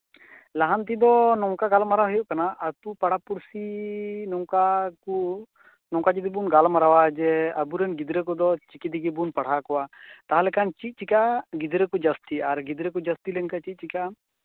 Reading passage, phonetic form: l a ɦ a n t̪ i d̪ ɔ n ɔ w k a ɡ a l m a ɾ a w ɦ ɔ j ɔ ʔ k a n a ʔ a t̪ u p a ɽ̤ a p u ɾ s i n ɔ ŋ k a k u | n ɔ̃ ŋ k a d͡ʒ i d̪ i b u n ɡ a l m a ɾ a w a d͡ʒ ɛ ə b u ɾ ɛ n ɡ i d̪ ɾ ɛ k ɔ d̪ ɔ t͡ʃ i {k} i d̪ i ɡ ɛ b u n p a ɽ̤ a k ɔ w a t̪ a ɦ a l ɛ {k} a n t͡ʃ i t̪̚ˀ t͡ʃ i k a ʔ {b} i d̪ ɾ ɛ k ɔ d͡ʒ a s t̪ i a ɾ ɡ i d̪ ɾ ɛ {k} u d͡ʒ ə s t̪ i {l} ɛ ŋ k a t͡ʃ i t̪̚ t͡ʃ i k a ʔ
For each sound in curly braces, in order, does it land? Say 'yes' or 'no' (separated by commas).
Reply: yes, yes, no, yes, yes